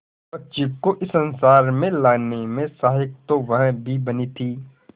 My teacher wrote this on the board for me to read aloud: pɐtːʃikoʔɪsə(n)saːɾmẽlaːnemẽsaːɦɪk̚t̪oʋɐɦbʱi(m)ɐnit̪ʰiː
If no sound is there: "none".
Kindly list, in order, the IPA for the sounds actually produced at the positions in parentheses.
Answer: n, b

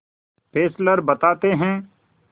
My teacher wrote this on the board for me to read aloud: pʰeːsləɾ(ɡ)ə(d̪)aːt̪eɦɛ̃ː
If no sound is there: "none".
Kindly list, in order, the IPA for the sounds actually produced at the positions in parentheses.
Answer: b, t̪

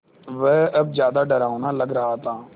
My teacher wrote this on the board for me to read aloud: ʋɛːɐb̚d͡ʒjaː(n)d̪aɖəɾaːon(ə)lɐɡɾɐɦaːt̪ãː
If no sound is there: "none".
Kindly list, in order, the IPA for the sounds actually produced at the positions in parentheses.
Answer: none, a

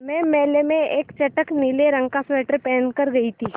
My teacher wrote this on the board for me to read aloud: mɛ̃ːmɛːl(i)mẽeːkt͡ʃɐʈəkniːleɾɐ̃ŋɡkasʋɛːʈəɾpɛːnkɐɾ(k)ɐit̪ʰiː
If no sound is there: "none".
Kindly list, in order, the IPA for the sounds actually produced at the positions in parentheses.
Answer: e, ɡ

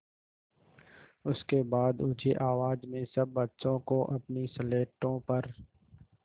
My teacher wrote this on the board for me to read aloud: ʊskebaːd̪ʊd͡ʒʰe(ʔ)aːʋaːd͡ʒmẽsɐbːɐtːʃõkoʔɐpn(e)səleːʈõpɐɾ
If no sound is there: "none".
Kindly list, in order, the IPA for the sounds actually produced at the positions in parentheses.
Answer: ʔ, i

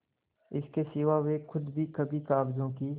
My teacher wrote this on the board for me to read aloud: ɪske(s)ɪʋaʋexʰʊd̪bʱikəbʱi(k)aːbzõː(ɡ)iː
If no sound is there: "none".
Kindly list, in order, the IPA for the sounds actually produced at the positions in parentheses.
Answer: s, k, k

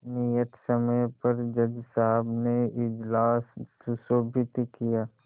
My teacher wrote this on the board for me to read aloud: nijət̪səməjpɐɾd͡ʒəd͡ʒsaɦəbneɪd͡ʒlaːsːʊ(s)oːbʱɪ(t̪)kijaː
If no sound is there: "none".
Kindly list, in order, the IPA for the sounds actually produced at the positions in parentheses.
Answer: s, t̪

